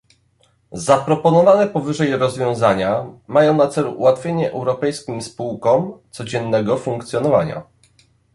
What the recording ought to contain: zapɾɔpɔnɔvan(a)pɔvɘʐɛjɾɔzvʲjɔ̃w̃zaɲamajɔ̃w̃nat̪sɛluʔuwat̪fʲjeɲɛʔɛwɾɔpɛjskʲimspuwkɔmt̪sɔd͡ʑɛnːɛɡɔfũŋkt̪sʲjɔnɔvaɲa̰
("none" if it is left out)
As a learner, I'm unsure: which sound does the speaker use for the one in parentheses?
ɛ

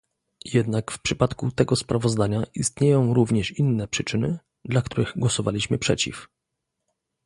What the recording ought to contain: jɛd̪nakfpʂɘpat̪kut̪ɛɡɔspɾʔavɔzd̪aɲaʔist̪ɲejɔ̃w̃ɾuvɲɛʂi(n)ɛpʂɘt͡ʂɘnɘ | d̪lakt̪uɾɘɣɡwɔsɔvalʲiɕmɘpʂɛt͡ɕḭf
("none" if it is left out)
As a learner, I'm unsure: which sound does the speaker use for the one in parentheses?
nː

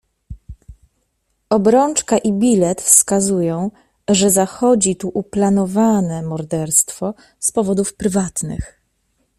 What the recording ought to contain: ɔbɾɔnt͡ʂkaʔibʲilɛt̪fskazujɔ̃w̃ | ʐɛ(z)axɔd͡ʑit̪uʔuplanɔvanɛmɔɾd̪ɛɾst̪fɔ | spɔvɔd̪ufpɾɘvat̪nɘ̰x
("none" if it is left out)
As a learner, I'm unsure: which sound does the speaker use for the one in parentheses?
z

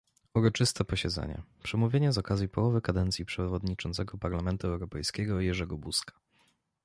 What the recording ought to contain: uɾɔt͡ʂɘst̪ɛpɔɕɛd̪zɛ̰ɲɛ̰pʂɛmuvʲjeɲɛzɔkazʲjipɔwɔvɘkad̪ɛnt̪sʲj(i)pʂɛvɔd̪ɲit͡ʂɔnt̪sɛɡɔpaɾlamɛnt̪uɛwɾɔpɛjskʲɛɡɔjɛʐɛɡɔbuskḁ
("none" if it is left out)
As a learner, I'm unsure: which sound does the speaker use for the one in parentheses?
i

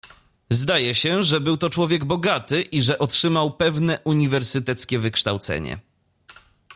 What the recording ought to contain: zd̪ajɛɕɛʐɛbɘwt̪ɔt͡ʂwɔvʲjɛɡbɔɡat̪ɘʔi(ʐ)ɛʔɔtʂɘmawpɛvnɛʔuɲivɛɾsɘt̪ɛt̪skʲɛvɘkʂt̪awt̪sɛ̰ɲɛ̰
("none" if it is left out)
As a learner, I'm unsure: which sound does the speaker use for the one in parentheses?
ʐ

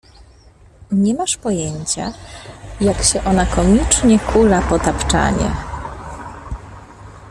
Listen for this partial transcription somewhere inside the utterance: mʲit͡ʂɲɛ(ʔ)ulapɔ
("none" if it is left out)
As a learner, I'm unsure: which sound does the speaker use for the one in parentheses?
k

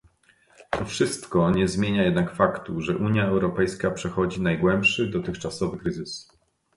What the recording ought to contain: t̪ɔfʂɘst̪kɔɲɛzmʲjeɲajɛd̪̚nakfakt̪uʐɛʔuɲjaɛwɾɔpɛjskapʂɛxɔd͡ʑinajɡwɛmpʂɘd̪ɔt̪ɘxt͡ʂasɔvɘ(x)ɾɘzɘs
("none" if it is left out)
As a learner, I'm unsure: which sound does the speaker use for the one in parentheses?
k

